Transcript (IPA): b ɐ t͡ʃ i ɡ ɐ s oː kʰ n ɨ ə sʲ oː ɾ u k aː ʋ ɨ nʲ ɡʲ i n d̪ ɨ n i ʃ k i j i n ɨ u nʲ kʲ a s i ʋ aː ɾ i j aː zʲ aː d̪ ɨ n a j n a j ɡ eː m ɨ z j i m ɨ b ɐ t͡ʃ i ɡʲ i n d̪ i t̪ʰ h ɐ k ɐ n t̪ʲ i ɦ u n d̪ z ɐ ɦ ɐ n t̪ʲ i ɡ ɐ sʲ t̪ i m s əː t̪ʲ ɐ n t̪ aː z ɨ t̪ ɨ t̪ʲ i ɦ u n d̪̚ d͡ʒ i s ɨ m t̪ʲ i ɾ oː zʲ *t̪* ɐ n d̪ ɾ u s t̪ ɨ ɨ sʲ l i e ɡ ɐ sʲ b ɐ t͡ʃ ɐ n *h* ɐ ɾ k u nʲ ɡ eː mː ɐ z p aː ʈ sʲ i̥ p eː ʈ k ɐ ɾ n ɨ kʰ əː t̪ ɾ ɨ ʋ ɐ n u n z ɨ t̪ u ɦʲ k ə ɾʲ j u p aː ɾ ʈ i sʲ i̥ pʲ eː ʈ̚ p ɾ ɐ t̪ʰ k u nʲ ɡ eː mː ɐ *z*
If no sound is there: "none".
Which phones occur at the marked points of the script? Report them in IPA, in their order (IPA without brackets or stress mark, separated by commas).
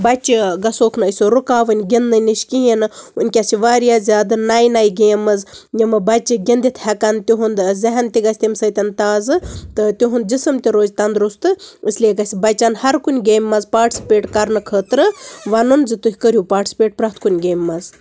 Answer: t̪, h, z